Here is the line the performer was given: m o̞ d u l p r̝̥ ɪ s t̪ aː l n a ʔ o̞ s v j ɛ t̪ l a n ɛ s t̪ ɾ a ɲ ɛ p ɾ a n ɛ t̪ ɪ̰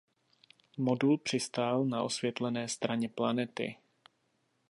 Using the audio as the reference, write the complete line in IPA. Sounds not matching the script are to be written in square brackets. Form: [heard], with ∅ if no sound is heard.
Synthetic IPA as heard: m o̞ d u l p r̝̥ ɪ s t̪ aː l n a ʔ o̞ s v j ɛ t̪ l [ɛ] n [ɛː] s t̪ ɾ a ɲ ɛ p [l] a n ɛ t̪ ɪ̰